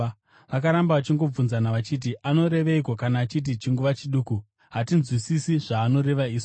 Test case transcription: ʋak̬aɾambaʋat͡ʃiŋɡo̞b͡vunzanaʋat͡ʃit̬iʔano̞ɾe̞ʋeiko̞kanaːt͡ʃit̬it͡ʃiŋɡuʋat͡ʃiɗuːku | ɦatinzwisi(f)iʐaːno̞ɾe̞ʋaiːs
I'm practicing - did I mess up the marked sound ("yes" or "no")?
yes